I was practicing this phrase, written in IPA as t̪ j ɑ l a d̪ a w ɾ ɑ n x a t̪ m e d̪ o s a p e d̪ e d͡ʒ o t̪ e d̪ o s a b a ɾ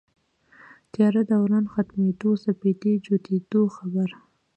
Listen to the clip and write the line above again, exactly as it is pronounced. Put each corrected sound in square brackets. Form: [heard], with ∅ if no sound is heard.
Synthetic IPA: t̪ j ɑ [ɾ] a d̪ a w ɾ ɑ n x a t̪ m e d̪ o s a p e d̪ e d͡ʒ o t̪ e d̪ o [x] a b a ɾ